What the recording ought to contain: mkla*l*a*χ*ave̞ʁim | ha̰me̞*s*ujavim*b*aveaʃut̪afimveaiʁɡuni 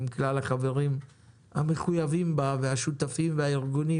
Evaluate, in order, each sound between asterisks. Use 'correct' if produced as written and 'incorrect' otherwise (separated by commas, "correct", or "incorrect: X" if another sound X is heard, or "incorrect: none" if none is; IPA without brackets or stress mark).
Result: correct, correct, incorrect: χ, correct